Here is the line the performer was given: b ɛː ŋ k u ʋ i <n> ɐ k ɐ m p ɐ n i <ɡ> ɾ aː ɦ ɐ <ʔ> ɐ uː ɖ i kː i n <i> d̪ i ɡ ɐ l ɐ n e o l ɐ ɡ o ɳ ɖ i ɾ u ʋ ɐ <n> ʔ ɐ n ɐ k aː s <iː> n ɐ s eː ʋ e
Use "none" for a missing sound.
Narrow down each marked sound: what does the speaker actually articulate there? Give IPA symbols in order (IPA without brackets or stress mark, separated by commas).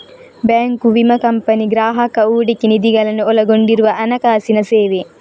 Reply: m, ɡ, k, i, none, i